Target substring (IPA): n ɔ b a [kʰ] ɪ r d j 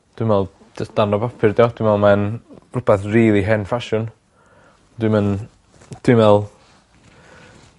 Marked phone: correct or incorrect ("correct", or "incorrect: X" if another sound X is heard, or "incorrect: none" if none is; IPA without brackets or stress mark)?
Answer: incorrect: pʰ